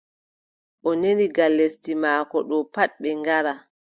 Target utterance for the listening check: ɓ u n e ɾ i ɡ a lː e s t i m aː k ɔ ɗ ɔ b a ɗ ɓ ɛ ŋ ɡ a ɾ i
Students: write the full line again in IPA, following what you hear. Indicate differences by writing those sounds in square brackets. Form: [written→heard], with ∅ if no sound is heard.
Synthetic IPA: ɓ [u→ɔ] n e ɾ i ɡ a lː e s t i m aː k ɔ ɗ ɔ [b→p] a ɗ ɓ ɛ ŋ ɡ a ɾ [i→a]

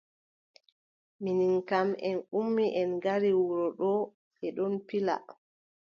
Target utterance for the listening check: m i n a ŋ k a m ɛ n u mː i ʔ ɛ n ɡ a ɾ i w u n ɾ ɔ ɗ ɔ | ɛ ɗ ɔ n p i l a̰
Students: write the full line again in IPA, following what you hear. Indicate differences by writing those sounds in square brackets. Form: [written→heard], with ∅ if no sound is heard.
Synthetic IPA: m i n [a→i] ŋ k a m ɛ n u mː i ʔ ɛ n ɡ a ɾ i w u [n→∅] ɾ ɔ ɗ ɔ | ɛ ɗ ɔ n p i l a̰

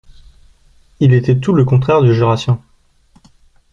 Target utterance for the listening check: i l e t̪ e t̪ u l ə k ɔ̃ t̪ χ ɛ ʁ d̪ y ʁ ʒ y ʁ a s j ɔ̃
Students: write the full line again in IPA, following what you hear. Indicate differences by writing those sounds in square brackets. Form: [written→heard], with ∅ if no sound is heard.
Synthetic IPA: i l e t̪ [e→ɛ] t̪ u l ə k ɔ̃ t̪ χ ɛ ʁ d̪ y [ʁ→∅] ʒ y ʁ a s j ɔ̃

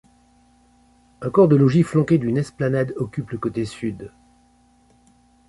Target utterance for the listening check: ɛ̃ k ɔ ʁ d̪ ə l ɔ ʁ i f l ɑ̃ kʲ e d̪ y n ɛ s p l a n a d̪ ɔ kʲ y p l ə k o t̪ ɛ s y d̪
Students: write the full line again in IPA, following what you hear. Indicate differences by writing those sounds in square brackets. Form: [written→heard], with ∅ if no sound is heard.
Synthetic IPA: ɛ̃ k ɔ ʁ d̪ ə l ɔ [ʁ→ʒ] i f l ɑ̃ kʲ e d̪ y n ɛ s p l a n a d̪ ɔ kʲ y p l ə k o t̪ [ɛ→e] s y d̪

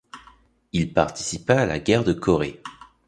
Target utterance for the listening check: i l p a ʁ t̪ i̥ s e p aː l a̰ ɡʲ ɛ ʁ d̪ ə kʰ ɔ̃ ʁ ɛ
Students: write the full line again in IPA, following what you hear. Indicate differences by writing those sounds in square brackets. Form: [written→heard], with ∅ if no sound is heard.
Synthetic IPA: i l p a ʁ t̪ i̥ s [e→i] p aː l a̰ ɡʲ ɛ ʁ d̪ ə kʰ [ɔ̃→ɔ] ʁ [ɛ→e]

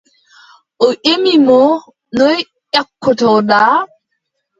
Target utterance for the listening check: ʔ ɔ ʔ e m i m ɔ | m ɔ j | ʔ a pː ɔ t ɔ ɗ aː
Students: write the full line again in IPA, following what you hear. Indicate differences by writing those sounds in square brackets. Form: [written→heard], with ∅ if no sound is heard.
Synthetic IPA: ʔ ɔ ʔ e m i m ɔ | [m→n] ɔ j | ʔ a [pː→kː] ɔ t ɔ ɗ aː

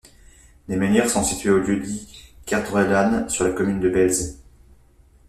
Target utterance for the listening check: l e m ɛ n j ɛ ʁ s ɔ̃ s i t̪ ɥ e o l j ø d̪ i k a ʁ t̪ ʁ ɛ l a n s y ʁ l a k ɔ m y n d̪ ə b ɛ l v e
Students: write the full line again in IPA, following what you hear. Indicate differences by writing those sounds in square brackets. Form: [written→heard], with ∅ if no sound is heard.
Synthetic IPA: l e m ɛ n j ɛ ʁ s ɔ̃ s i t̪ ɥ e o l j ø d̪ i k a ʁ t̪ ʁ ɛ l a n s y ʁ l a k ɔ m y n d̪ ə b ɛ l [v→z] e

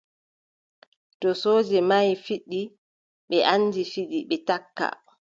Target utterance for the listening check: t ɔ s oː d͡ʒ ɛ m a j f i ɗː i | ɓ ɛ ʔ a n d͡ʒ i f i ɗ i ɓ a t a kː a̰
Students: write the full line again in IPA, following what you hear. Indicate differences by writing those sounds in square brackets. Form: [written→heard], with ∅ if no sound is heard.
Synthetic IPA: t ɔ s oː d͡ʒ ɛ m a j f i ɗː i | ɓ ɛ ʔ a n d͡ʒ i f i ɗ i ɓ [a→ɛ] t a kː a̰

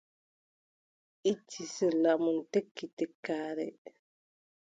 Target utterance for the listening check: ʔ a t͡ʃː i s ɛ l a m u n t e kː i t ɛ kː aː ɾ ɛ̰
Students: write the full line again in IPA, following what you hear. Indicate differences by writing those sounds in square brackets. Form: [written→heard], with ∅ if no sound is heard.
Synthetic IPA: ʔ [a→i] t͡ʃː i s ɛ l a m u n t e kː i t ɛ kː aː ɾ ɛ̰

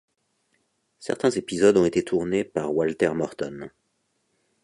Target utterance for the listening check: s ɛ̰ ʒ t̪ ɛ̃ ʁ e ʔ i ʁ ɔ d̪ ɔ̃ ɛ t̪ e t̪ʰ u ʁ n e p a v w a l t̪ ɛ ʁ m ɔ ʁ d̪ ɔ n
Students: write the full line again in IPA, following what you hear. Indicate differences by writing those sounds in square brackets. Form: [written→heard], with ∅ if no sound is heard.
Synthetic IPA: s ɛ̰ [ʒ→ʁ] t̪ ɛ̃ [ʁ→z] e [ʔ→p] i [ʁ→z] ɔ d̪ ɔ̃ [ɛ→e] t̪ e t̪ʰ u ʁ n e p a [v→ʁ] w a l t̪ ɛ ʁ m ɔ ʁ [d̪→t̪] ɔ n

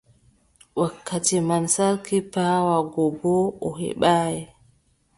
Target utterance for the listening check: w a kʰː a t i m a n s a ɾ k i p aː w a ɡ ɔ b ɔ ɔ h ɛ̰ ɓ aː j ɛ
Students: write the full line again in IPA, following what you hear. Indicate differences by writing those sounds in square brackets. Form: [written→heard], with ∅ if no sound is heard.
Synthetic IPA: w a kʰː a t i m a n s a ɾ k i p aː w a ɡ ɔ b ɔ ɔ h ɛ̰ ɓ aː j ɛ

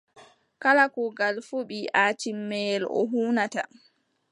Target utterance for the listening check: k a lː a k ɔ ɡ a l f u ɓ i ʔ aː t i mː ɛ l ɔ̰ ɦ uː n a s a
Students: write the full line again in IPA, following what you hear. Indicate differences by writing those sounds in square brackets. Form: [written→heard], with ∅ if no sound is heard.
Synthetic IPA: k a [lː→l] a k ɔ ɡ a l f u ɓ i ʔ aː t i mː ɛ l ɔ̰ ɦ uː n a [s→t] a

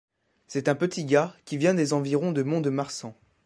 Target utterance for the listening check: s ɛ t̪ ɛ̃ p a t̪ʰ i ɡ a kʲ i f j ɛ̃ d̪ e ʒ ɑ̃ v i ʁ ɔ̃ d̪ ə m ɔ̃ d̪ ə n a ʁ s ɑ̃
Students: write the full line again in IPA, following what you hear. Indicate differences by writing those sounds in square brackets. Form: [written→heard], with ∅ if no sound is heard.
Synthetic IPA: s ɛ t̪ ɛ̃ p [a→ə] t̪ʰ i ɡ a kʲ i [f→v] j ɛ̃ d̪ e [ʒ→z] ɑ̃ v i ʁ ɔ̃ d̪ ə m ɔ̃ d̪ ə [n→m] a ʁ s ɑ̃

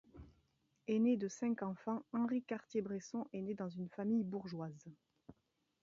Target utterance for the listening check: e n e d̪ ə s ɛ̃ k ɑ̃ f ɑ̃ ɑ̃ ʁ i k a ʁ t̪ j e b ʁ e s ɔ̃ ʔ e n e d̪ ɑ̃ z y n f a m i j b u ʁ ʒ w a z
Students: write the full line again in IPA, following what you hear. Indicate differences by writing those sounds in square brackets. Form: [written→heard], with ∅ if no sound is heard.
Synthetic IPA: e n e d̪ ə s ɛ̃ k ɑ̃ f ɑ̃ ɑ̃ ʁ i k a ʁ t̪ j e b ʁ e s ɔ̃ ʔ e n e d̪ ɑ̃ z y n f a m i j b u ʁ ʒ w a z

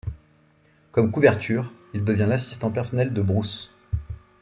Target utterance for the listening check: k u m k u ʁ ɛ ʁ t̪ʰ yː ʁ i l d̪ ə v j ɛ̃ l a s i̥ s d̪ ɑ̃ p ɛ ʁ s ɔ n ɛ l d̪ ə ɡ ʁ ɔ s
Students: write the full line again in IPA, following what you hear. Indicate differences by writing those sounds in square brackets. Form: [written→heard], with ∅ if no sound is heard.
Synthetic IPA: k [u→ɔ] m k u [ʁ→v] ɛ ʁ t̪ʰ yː ʁ i l d̪ ə v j ɛ̃ l a s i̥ s [d̪→t̪] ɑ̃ p ɛ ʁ s ɔ n ɛ l d̪ ə [ɡ→b] ʁ [ɔ→u] s

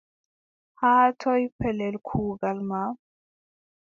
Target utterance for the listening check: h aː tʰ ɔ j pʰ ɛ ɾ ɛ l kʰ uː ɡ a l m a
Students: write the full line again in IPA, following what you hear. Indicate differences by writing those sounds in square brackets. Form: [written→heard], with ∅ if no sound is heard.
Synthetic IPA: h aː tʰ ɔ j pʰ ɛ [ɾ→l] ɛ l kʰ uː ɡ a l m a

